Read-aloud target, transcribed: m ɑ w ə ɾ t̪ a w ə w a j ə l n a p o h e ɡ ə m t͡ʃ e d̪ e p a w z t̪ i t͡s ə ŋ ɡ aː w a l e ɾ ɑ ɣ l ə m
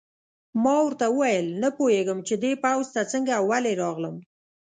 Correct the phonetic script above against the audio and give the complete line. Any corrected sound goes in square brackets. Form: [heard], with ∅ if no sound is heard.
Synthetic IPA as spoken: m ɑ w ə ɾ t̪ a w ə w a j ə l n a p o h e ɡ ə m t͡ʃ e d̪ e p a w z t̪ [a] t͡s ə ŋ ɡ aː w a l e ɾ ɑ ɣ l ə m